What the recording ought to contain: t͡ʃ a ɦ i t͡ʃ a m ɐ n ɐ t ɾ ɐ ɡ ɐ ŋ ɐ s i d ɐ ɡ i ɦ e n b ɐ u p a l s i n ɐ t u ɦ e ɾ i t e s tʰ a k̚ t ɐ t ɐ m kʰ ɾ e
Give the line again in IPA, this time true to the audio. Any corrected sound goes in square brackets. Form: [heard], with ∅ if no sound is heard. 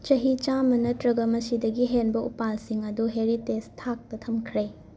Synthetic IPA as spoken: t͡ʃ [ɐ] ɦ i t͡ʃ a m ɐ n ɐ t ɾ ɐ ɡ ɐ [m] ɐ s i d ɐ ɡ i ɦ e n b ɐ u p a l s i [ŋ] ɐ [d] u ɦ e ɾ i t e s tʰ a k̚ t ɐ [tʰ] ɐ m kʰ ɾ e